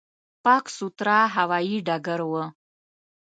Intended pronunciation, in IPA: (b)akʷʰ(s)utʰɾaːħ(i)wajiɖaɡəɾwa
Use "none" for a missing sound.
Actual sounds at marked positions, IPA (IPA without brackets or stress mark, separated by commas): p, s, a